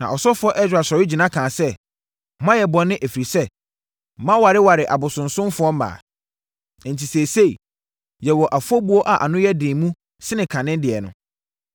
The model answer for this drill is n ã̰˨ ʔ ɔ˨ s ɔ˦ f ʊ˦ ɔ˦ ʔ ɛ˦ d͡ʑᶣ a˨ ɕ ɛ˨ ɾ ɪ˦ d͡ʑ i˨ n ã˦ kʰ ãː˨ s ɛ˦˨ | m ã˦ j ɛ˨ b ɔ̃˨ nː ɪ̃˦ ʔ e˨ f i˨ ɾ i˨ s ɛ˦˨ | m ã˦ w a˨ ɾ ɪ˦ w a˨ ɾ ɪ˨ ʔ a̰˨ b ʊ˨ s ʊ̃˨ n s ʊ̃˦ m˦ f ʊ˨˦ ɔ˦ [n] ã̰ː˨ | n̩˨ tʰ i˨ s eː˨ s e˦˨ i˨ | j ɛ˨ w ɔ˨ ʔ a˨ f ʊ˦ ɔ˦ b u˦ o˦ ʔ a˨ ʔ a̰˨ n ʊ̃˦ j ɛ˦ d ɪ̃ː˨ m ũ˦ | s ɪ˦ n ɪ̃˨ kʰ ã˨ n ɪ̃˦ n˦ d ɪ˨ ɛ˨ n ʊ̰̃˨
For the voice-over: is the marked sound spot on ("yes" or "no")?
no